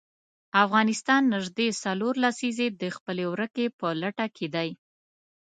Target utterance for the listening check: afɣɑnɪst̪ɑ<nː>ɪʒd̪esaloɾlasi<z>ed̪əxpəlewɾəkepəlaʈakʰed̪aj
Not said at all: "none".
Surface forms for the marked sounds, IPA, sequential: nː, z

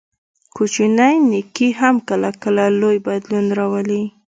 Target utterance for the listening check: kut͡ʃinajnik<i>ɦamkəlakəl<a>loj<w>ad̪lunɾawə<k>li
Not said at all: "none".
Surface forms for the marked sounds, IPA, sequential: i, a, b, none

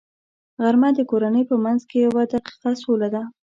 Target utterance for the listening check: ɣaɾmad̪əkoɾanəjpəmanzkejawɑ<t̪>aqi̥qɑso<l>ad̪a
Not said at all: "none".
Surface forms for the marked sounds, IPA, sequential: d̪, l

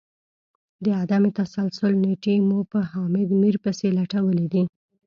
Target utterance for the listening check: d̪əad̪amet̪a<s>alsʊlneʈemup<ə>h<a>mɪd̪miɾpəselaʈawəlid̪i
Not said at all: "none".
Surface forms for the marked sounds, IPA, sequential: s, ə, ɑ

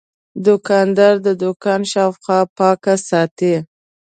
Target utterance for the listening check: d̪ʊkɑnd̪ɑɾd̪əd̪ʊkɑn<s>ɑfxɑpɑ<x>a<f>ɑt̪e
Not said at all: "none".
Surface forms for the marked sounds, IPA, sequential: ʃ, k, s

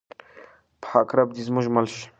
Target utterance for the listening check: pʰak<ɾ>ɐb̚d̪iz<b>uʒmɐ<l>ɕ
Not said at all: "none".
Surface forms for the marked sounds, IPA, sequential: ɾ, m, l

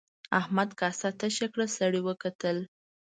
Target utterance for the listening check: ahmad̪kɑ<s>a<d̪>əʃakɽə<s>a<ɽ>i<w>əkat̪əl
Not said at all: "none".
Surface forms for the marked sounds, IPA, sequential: s, t̪, s, ɽ, w

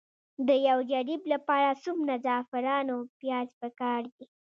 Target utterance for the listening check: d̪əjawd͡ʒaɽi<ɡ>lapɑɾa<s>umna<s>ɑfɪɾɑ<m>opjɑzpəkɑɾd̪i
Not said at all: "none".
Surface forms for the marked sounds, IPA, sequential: b, s, z, n

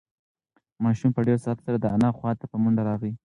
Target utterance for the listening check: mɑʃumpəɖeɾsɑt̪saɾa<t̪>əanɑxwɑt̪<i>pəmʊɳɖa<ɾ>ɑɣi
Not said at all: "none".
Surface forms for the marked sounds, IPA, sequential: d̪, a, ɾ

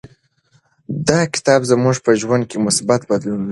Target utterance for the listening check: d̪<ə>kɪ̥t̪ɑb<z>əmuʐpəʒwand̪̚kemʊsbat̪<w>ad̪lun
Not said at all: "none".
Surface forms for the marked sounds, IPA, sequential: ɑ, z, b

